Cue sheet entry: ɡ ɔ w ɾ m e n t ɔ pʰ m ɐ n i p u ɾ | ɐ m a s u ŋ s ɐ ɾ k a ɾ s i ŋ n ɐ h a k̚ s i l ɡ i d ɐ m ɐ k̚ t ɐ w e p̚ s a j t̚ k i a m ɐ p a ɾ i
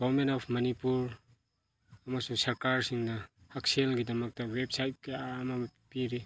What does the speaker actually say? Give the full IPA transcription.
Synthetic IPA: ɡ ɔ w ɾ m e n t ɔ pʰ m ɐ n i p u ɾ | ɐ m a s u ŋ s ɐ ɾ k a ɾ s i ŋ n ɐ h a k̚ s e l ɡ i d ɐ m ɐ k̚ t ɐ w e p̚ s a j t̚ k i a m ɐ p i ɾ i